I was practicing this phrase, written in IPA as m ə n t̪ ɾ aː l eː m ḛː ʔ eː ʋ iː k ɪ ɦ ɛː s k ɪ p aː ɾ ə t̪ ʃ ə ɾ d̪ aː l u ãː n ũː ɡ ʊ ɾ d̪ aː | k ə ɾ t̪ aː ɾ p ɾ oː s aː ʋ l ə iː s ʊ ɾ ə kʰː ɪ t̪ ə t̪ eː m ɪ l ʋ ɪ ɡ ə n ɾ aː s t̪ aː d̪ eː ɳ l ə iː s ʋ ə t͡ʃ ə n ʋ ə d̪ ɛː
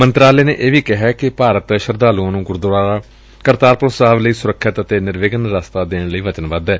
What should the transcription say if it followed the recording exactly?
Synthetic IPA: m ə n t̪ ɾ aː l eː n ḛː ʔ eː ʋ iː k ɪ ɦ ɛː k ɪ p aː ɾ ə t̪ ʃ ə ɾ d̪ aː l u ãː n ũː ɡ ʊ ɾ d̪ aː | k ə ɾ t̪ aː ɾ p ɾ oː s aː ʋ l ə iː s ʊ ɾ ə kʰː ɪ t̪ ə t̪ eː n ɪ ɾ ʋ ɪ ɡ ə n ɾ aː s t̪ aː d̪ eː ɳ l ə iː ʋ ə t͡ʃ ə n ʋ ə d̪ ɛː

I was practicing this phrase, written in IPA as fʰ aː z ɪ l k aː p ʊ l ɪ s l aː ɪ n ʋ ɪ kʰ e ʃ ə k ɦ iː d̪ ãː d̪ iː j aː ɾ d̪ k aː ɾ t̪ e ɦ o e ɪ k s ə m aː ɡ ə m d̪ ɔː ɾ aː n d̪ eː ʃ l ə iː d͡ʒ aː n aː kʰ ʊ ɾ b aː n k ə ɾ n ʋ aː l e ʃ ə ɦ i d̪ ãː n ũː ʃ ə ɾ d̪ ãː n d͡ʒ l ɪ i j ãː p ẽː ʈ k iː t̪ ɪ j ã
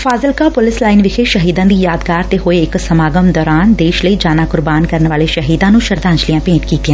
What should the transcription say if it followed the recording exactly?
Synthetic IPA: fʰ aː z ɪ l k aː p ʊ l ɪ s l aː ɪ n ʋ ɪ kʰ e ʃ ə ɦ iː d̪ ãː d̪ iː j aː d̪ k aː ɾ t̪ e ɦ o e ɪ k s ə m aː ɡ ə m d̪ ɔː ɾ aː n d̪ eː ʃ l ə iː d͡ʒ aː n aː k ʊ ɾ b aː n k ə ɾ n ʋ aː l e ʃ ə ɦ iː d̪ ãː n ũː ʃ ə ɾ d̪ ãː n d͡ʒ l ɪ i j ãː p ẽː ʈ k iː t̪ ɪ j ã

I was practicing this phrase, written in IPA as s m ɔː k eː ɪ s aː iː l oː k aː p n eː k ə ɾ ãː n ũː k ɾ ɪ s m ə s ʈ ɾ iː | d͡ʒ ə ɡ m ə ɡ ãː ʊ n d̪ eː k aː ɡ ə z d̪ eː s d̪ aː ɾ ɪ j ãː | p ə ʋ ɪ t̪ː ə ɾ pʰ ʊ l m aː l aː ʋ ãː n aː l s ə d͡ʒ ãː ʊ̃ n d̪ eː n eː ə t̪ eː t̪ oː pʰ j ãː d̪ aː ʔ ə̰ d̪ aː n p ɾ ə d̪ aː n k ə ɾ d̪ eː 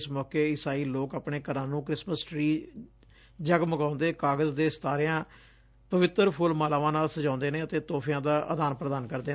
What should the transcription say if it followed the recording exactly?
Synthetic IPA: s m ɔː k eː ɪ s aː iː l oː k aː p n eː k ə ɾ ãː n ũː k ɾ ɪ s m ə s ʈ ɾ iː | d͡ʒ ə ɡ m ə ɡ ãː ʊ n d̪ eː k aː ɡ ə z d̪ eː s t̪ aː ɾ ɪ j ãː | p ə ʋ ɪ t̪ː ə ɾ pʰ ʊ l m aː l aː ʋ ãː n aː l s ə d͡ʒ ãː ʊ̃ n d̪ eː n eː ə t̪ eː t̪ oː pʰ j ãː d̪ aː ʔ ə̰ d̪ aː n p ɾ ə d̪ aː n k ə ɾ d̪ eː

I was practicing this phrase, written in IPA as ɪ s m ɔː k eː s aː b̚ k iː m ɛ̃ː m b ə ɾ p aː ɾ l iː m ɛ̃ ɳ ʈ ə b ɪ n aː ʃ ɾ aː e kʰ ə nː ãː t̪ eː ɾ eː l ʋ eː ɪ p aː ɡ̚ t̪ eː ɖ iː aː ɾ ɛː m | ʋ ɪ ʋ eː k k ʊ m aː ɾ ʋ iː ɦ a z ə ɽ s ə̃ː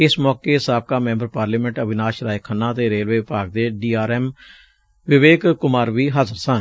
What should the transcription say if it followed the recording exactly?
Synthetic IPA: ɪ s m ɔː k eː s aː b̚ k aː m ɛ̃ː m b ə ɾ p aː ɾ l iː m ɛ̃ ɳ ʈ ə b ɪ n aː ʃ ɾ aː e kʰ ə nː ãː t̪ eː ɾ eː l ʋ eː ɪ p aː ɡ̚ d̪ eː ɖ iː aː ɾ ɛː m | ʋ ɪ ʋ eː k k ʊ m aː ɾ ʋ iː ɦ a z ə ɾ s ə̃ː

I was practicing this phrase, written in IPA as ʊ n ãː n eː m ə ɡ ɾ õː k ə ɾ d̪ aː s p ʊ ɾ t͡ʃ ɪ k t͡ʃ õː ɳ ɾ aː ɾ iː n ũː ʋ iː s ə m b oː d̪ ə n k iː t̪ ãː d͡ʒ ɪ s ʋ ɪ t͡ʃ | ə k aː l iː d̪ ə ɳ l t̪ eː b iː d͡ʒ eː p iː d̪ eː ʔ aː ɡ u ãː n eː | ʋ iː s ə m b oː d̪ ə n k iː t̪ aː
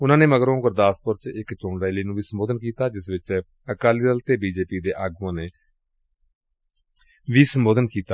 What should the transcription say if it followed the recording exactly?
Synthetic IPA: ʊ n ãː n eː m ə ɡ ɾ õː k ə ɾ d̪ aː s p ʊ ɾ t͡ʃ ɪ k t͡ʃ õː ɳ ɾ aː l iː n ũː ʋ iː s ə m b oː d̪ ə n k iː t̪ aː d͡ʒ ɪ s ʋ ɪ t͡ʃ | ə k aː l iː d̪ ə l t̪ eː b iː d͡ʒ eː p iː d̪ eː ʔ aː ɡ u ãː n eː | ʋ iː s ə m b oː d̪ ə n k iː t̪ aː

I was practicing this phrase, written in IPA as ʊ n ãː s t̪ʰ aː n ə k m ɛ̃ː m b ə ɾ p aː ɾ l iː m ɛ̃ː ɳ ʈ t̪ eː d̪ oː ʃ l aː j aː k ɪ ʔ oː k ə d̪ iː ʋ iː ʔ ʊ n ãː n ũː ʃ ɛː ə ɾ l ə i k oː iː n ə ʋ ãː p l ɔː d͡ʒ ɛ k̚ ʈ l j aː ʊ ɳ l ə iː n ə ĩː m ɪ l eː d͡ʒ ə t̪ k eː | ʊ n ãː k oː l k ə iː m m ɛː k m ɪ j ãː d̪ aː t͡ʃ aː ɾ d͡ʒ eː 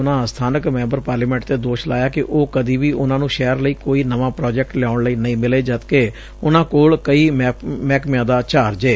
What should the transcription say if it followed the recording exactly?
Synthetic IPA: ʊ n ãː s t̪ʰ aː n ə k m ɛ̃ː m b ə ɾ p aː ɾ l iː m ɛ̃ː ɳ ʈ t̪ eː d̪ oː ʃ l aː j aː k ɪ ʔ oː k ə d̪ iː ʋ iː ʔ ʊ n ãː n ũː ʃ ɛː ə ɾ l ə iː k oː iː n ə ʋ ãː p ɾ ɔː d͡ʒ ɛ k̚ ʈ l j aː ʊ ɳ l ə iː n ə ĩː m ɪ l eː d͡ʒ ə t̪ k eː | ʊ n ãː k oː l k ə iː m m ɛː k m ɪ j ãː d̪ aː t͡ʃ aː ɾ d͡ʒ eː

